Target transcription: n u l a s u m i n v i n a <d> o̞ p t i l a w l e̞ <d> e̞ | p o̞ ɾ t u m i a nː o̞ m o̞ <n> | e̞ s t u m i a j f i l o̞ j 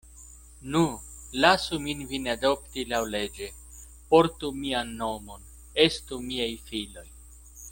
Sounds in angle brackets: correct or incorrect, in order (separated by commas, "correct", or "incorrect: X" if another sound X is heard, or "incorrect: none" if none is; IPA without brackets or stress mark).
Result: correct, incorrect: d͡ʒ, correct